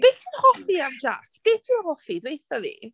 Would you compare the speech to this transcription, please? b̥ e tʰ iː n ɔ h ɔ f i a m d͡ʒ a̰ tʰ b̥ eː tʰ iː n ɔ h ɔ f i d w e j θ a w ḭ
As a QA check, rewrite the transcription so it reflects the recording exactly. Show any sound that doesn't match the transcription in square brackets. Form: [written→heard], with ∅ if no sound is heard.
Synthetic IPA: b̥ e tʰ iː n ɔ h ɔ f i a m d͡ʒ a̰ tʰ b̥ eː tʰ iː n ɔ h ɔ f i d w e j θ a [w→v] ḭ